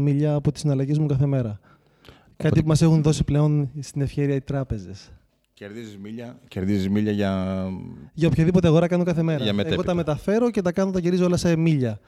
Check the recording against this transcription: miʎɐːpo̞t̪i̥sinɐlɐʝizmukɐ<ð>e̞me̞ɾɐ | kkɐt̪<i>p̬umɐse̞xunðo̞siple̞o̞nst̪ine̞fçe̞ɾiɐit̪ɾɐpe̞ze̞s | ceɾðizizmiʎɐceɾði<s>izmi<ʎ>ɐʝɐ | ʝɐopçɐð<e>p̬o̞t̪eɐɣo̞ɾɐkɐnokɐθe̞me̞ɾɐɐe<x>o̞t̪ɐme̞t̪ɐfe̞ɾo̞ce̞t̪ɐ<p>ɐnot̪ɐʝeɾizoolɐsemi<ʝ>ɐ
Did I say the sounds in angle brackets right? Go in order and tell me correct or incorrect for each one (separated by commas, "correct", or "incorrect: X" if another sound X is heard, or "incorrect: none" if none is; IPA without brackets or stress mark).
incorrect: θ, correct, incorrect: z, correct, incorrect: i, incorrect: ɣ, incorrect: k, incorrect: ʎ